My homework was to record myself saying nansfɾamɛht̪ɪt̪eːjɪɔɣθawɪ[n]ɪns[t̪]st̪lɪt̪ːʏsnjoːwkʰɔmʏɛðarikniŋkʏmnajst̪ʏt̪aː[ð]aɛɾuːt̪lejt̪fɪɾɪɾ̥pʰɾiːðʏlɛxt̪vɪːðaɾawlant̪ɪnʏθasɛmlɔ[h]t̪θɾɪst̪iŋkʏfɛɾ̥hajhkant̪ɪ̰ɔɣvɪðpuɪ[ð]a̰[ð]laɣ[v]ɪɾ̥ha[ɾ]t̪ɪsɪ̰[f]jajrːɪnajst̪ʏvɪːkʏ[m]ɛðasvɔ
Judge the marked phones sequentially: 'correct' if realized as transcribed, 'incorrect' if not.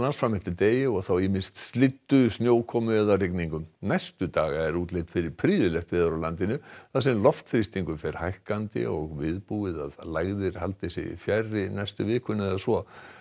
incorrect: m, correct, incorrect: ɣ, incorrect: f, correct, correct, incorrect: ð, incorrect: l, correct, incorrect: n

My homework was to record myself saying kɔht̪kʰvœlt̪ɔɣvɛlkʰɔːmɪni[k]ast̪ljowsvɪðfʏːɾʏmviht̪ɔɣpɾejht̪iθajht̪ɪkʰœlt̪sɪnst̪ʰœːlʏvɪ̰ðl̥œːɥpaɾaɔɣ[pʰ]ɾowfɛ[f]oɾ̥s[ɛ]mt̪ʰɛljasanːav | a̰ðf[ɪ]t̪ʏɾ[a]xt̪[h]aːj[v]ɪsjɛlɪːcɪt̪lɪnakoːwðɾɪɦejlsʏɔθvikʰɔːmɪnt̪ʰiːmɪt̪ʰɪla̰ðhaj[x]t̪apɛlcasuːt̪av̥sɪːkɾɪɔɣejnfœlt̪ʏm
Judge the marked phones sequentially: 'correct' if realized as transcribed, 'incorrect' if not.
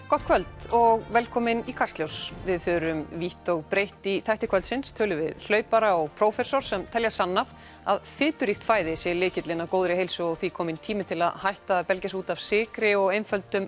incorrect: kʰ, correct, incorrect: s, correct, incorrect: ɪː, incorrect: i, incorrect: f, incorrect: ð, incorrect: h

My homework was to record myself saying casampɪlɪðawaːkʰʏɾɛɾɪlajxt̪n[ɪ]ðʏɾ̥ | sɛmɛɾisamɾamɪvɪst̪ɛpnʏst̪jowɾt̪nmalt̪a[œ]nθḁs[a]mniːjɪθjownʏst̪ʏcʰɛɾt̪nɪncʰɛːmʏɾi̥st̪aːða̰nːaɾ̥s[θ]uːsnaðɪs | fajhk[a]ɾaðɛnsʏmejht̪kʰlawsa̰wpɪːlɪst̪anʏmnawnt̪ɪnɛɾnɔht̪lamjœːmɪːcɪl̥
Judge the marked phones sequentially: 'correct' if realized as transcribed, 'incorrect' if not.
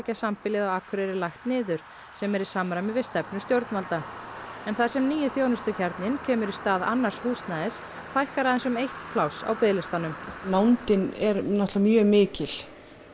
incorrect: ɪː, incorrect: ɛ, incorrect: ɛ, incorrect: h, correct

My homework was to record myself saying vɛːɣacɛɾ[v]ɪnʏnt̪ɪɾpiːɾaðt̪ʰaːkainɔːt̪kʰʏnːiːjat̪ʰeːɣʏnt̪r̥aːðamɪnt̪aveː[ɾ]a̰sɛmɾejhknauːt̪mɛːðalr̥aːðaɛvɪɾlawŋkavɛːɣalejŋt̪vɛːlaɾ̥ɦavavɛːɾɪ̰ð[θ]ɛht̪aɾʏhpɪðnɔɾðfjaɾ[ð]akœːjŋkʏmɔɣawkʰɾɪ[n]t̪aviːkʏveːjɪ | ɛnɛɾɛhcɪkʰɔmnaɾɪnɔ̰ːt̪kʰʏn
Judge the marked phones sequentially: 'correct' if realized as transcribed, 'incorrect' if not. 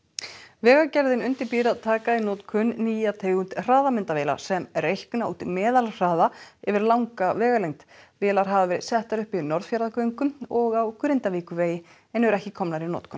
incorrect: ð, incorrect: l, incorrect: s, correct, correct

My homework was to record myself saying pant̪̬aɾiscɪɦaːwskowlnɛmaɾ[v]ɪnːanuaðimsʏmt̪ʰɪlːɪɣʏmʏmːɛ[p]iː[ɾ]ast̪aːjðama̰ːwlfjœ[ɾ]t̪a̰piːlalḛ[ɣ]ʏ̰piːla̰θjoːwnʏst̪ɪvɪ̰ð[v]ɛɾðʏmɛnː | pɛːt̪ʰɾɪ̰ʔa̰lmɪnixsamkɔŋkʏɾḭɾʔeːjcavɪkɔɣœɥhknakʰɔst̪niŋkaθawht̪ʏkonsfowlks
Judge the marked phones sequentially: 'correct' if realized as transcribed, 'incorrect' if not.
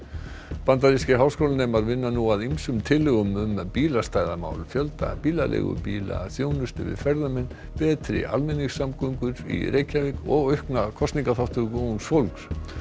correct, correct, incorrect: l, incorrect: l, correct, incorrect: f

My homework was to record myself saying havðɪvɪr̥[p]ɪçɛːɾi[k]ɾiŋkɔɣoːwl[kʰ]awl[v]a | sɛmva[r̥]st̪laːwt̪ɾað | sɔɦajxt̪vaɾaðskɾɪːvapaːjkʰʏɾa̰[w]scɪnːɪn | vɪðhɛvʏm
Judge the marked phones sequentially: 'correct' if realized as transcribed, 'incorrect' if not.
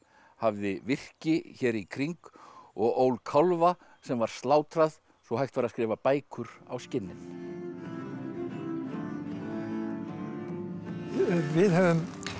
incorrect: c, incorrect: kʰ, correct, correct, incorrect: ɾ̥, correct

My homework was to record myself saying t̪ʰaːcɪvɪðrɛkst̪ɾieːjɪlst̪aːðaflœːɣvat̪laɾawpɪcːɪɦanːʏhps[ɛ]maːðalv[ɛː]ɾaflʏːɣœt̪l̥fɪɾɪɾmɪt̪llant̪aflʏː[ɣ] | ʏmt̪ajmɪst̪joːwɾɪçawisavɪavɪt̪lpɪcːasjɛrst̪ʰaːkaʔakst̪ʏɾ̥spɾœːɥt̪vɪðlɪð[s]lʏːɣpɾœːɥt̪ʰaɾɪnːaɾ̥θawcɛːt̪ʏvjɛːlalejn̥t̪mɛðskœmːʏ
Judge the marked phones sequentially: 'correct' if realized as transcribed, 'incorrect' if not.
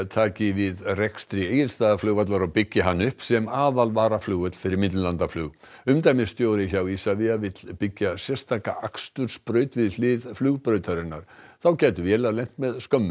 correct, incorrect: aː, correct, incorrect: f

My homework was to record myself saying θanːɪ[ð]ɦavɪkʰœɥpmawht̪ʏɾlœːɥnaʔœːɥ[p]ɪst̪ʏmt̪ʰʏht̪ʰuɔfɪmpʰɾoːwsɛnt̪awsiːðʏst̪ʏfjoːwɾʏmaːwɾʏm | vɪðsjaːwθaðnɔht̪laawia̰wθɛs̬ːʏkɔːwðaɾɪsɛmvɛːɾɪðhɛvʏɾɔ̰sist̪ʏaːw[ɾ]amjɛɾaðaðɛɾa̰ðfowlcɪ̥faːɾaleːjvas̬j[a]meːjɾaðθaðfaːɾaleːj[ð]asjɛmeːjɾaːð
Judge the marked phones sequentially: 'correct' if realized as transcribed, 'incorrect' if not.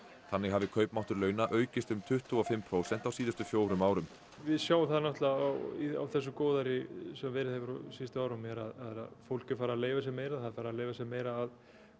incorrect: ɣ, incorrect: c, correct, incorrect: ɛ, incorrect: v

